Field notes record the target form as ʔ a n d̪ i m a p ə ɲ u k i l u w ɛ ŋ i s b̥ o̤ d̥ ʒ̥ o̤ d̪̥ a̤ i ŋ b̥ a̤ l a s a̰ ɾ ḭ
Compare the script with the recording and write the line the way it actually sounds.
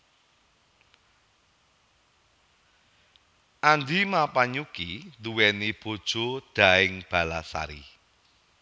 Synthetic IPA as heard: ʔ a n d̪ i m a p a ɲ u k i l u w ɛ n i b̥ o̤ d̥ ʒ̥ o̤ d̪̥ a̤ ɪ ŋ b̥ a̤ l a s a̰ ɾ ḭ

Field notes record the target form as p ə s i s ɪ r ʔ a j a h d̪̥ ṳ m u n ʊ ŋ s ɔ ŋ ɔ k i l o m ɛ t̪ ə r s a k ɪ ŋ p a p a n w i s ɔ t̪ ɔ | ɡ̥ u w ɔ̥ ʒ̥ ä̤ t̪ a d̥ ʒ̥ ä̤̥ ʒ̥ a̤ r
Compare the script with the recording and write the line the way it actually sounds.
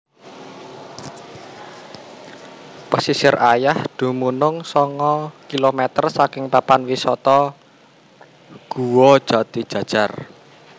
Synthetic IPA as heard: p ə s i s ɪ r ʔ a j a h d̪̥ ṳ m u n ʊ ŋ s ɔ ŋ ɔ k i l o m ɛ t̪ ə r s a k ɪ ŋ p a p a n w i s ɔ t̪ ɔ | ɡ̥ u w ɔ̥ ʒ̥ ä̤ t̪ i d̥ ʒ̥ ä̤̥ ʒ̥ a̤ r

